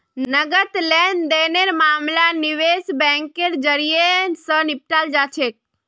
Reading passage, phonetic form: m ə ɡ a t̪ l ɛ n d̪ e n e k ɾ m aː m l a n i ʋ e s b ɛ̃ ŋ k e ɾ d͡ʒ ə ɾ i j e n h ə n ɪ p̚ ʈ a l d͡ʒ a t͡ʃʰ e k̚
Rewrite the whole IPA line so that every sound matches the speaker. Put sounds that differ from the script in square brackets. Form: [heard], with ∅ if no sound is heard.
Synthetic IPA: [n] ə ɡ [ə] t̪ l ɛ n d̪ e n e [∅] ɾ m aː m l a n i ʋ e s b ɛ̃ ŋ k e ɾ d͡ʒ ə ɾ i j e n [s] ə n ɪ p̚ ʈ a l d͡ʒ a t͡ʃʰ e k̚